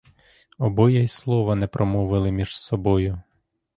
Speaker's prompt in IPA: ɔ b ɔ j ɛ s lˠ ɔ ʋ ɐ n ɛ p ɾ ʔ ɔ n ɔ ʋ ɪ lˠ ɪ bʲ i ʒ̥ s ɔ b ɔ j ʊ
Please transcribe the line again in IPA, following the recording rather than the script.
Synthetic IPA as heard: ɔ b ɔ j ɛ s lˠ ɔ ʋ ɐ n ɛ p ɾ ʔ ɔ m ɔ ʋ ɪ lˠ ɪ mʲ i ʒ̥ s ɔ b ɔ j ʊ